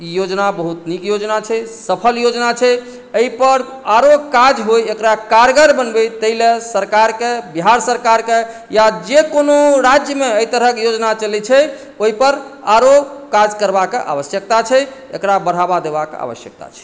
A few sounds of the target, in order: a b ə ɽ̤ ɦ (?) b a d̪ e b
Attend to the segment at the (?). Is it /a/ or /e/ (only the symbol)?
a